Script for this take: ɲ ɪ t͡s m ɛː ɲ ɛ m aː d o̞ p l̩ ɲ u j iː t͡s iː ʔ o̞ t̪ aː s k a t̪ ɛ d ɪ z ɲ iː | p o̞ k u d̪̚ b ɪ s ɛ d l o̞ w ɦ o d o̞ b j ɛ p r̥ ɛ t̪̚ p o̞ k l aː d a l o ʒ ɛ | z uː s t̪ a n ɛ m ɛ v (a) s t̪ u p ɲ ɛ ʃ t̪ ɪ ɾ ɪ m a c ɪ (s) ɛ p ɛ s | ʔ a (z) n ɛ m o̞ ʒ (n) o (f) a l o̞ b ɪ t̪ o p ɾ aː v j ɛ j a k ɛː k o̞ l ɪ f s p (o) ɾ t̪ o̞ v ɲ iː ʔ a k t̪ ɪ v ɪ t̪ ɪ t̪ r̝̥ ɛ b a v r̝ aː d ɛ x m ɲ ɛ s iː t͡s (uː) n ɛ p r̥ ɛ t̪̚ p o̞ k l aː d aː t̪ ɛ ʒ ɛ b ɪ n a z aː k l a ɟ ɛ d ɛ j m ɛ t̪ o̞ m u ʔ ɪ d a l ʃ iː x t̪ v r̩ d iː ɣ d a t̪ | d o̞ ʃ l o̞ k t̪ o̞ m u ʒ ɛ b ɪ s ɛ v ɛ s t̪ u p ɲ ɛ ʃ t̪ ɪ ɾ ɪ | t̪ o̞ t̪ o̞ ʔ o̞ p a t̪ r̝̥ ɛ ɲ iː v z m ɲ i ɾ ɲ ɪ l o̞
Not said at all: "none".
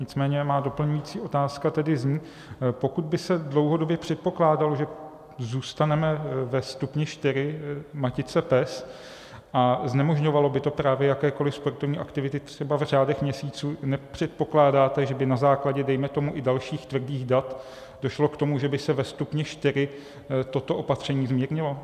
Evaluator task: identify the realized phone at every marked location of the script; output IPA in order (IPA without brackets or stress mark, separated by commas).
ɛ, t͡s, z, ɲ, v, o, uː